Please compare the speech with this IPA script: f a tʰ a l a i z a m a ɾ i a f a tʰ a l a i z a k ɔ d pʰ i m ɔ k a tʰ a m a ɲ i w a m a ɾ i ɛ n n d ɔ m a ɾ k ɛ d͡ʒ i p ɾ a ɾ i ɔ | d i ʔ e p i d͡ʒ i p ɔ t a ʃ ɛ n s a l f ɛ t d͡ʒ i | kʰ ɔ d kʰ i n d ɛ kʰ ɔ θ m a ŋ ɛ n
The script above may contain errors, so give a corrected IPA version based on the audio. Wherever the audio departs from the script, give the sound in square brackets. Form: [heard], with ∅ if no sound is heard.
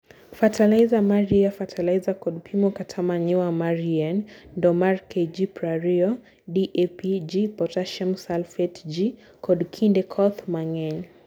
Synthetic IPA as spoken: f a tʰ a l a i z a m a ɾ i a f a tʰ a l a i z a k ɔ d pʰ i m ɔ k a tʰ a m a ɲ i w a m a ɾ i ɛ n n d ɔ m a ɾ k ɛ d͡ʒ i p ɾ a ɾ i ɔ | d i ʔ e p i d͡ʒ i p ɔ t a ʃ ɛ [m] s a l f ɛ t d͡ʒ i | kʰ ɔ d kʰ i n d ɛ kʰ ɔ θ m a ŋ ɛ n